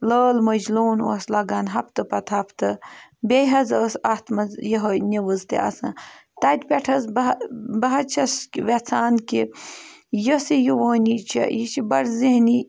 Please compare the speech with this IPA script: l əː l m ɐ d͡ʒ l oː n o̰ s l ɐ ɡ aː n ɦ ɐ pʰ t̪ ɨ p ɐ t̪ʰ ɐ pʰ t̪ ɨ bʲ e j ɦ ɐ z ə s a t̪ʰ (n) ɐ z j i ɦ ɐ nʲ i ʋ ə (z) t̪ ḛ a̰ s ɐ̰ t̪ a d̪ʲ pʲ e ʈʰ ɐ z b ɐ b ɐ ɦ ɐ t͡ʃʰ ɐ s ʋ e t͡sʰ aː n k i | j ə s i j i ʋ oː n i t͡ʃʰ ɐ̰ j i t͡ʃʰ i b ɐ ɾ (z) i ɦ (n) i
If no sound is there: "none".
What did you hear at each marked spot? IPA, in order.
m, z, z, n

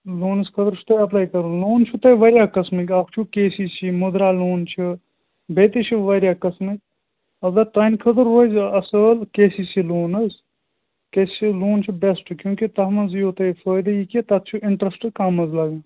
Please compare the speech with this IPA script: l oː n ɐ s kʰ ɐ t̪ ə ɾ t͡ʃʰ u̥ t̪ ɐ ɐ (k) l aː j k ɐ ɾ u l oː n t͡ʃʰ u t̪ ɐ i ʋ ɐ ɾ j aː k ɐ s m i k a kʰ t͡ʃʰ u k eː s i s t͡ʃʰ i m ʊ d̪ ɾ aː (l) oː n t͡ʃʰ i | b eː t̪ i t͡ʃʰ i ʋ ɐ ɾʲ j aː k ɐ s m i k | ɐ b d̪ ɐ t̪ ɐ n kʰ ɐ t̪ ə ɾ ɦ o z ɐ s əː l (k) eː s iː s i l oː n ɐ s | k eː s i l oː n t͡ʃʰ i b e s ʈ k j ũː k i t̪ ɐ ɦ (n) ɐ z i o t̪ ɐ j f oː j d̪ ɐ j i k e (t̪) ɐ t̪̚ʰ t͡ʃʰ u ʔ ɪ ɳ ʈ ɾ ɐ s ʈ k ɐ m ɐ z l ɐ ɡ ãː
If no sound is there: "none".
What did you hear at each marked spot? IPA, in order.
p, l, k, m, t̪

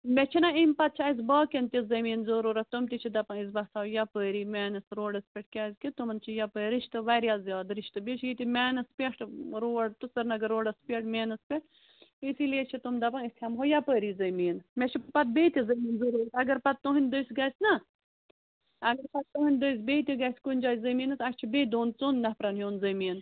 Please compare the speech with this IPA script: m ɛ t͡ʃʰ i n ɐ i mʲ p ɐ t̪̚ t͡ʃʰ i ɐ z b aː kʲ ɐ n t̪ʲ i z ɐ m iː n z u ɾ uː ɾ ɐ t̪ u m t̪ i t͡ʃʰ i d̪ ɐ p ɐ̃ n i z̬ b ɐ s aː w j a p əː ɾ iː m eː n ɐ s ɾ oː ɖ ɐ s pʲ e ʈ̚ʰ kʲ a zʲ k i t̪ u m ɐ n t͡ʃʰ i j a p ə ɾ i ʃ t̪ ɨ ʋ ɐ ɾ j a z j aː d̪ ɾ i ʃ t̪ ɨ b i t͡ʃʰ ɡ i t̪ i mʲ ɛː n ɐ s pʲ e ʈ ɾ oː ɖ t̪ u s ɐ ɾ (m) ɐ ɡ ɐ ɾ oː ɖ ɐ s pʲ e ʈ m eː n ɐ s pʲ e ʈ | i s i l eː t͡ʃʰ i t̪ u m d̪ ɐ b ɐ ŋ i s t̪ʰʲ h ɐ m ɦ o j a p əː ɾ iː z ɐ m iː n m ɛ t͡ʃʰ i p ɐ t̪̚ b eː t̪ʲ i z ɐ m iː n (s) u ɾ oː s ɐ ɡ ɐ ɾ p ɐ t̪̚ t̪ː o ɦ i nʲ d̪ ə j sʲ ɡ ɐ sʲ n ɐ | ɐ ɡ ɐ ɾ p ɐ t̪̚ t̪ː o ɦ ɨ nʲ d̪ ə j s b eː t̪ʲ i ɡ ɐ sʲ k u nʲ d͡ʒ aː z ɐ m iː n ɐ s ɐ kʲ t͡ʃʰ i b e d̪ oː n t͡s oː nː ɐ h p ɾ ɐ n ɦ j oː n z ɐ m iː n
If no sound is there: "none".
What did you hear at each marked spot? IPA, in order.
n, z

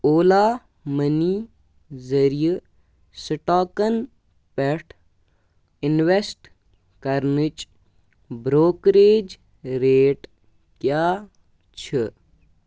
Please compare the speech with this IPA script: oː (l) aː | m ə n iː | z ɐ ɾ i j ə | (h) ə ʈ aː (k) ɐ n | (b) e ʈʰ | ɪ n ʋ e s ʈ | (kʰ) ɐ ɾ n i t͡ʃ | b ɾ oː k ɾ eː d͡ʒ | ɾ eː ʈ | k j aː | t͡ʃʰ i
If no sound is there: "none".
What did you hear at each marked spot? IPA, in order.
l, s, k, p, k

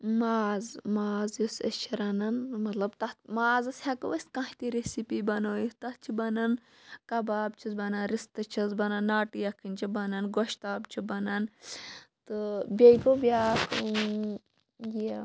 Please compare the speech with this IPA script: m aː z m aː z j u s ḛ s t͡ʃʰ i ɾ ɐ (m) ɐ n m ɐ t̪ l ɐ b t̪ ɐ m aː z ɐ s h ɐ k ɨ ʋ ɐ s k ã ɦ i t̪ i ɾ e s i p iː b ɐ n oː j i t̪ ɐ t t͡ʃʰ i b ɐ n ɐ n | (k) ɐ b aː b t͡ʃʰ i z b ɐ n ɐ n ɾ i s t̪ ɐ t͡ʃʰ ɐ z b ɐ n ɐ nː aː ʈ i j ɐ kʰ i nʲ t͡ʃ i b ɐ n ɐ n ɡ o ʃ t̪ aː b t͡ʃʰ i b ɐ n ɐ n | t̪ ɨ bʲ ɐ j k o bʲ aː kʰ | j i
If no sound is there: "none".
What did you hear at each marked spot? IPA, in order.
n, k

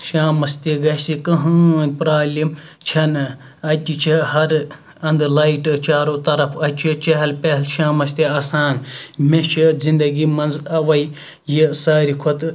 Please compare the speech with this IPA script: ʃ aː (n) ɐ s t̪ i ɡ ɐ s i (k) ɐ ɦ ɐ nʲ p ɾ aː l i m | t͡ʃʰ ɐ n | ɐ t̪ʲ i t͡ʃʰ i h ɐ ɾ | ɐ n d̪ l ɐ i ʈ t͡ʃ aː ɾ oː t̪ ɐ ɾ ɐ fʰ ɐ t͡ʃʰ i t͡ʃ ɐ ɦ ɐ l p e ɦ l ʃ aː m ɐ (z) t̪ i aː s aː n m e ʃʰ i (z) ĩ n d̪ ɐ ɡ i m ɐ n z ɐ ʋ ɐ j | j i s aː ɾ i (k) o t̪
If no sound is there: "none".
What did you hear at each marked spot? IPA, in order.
m, k, s, z, kʰ

